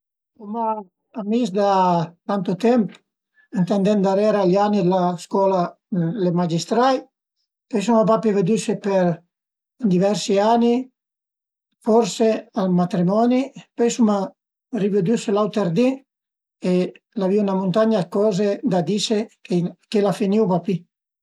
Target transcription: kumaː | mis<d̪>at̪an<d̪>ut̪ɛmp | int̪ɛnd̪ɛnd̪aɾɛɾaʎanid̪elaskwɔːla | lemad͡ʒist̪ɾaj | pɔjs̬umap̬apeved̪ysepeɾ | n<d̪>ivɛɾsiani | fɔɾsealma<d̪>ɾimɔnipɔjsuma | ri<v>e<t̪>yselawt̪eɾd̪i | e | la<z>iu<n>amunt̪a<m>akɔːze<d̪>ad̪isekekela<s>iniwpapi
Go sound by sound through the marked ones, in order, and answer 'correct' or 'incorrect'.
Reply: correct, incorrect: t̪, correct, incorrect: t̪, correct, incorrect: d̪, incorrect: v, correct, incorrect: ɲ, correct, incorrect: f

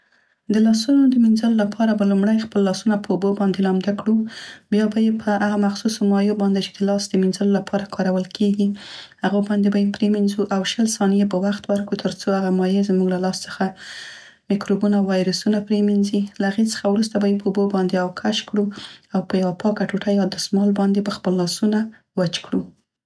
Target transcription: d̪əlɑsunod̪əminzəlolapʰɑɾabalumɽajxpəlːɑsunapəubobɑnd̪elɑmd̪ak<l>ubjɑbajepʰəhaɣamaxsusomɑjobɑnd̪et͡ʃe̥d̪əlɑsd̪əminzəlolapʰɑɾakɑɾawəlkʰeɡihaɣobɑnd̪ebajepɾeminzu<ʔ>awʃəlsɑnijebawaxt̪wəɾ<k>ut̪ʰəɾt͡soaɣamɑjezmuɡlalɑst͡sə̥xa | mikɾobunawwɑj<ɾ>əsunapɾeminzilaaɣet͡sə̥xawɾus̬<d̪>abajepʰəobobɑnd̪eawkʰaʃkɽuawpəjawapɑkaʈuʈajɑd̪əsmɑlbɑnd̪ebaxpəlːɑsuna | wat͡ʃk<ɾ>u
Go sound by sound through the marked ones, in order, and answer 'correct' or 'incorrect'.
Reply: incorrect: ɽ, correct, correct, correct, incorrect: t̪, incorrect: ɽ

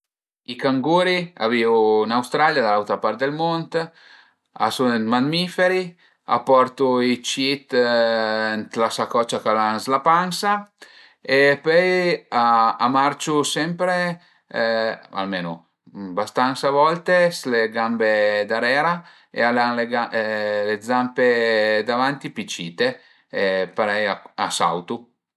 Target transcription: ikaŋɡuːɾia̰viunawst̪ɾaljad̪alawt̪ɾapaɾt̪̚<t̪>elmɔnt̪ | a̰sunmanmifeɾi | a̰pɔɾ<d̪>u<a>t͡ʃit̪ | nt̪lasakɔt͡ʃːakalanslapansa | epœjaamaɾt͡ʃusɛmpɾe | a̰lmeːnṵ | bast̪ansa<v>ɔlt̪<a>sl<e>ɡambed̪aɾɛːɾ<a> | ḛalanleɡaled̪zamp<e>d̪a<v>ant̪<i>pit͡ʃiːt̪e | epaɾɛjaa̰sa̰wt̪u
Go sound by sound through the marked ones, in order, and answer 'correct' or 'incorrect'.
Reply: incorrect: d̪, incorrect: t̪, incorrect: i, correct, incorrect: e, correct, correct, correct, correct, correct

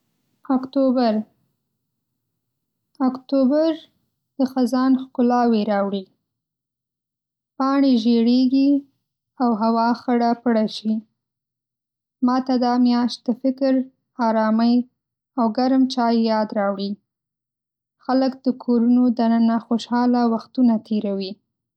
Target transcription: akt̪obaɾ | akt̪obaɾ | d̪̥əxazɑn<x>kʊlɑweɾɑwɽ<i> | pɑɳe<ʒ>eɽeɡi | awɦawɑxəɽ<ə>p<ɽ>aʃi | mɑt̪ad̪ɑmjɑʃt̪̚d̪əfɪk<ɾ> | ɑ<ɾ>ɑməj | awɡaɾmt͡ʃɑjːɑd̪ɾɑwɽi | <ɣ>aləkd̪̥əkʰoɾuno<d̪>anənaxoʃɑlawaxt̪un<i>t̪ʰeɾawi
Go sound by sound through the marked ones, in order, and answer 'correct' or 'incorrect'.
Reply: correct, correct, correct, incorrect: a, correct, correct, correct, incorrect: x, correct, incorrect: a

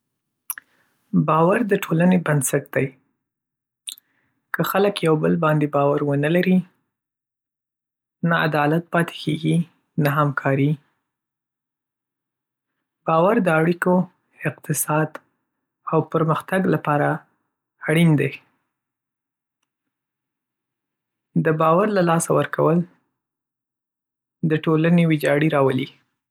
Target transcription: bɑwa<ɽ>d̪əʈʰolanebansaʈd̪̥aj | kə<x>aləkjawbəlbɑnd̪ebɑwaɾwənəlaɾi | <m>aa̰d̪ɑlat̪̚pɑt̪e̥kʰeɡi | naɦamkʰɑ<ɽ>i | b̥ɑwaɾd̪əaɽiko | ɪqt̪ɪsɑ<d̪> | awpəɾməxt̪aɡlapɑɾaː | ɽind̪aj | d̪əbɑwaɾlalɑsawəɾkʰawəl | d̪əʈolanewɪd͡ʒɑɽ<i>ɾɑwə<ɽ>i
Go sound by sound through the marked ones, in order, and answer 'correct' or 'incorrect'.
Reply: incorrect: ɾ, correct, incorrect: n, incorrect: ɾ, correct, correct, incorrect: l

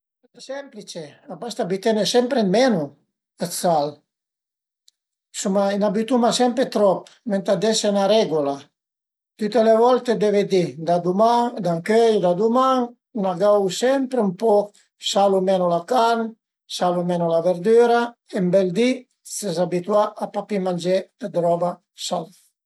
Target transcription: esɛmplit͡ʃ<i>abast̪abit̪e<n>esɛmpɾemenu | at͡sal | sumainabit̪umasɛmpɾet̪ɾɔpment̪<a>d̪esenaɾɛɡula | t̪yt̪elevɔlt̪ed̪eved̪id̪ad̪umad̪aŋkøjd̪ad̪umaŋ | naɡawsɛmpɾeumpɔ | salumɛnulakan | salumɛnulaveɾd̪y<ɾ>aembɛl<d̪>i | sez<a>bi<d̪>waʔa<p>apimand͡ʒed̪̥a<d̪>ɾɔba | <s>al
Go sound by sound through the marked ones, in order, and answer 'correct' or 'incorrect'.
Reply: incorrect: e, correct, correct, correct, correct, correct, incorrect: t̪, correct, correct, correct

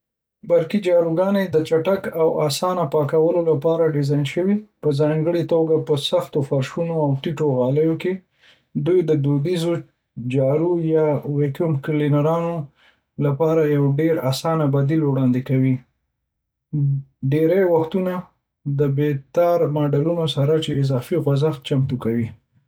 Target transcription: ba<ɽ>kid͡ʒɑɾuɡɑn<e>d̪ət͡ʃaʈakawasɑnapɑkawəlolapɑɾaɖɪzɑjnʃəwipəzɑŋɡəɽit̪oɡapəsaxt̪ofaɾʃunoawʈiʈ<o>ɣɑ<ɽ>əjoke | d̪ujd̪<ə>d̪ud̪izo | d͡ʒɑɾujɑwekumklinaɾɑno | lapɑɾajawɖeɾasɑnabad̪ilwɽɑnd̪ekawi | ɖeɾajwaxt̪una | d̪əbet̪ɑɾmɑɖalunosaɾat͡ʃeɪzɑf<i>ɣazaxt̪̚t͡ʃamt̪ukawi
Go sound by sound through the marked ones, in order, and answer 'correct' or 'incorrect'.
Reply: incorrect: ɾ, correct, correct, incorrect: l, correct, correct

